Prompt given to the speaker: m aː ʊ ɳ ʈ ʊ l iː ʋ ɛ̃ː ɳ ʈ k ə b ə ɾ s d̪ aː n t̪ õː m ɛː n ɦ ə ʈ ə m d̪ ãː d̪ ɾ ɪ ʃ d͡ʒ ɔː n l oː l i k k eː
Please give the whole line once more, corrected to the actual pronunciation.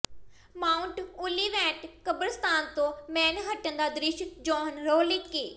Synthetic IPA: m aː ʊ ɳ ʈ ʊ l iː ʋ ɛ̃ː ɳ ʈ k ə b ə ɾ s t̪ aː n t̪ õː m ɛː n ɦ ə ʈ ə n d̪ aː d̪ ɾ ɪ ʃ d͡ʒ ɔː n ɾ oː l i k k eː